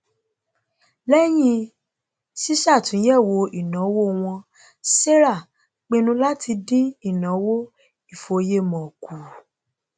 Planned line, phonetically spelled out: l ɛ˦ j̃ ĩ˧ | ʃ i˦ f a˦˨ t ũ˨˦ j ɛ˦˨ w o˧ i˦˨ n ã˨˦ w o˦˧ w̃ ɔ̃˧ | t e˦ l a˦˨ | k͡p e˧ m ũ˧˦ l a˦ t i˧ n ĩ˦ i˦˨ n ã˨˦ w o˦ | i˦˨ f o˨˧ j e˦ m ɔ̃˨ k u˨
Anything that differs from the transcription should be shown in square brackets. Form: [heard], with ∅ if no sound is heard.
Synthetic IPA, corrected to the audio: l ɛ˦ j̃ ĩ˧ | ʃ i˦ [ʃ] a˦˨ t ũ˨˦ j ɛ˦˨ w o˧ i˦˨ n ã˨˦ w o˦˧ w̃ ɔ̃˧ | [s] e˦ [ɾ] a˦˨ | k͡p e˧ [n] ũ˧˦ l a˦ t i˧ [d] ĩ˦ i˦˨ n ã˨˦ w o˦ | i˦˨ f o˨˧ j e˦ m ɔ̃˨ k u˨